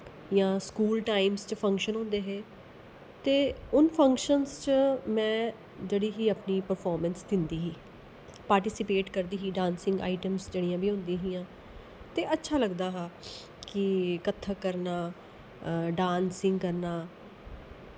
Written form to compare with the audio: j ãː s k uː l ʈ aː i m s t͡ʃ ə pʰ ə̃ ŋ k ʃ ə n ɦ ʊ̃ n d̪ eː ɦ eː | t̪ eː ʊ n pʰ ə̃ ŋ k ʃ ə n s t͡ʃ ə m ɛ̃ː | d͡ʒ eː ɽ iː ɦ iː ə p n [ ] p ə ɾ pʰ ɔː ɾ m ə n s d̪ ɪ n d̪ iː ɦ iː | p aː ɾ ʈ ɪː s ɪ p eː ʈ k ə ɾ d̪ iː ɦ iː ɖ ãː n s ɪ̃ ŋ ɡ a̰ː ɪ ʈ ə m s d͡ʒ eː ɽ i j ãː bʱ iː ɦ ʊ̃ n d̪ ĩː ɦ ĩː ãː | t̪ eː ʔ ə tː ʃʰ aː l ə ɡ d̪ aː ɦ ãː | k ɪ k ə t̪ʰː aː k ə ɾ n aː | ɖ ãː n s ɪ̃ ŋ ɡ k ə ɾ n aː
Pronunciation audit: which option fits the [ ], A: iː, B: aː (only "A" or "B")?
A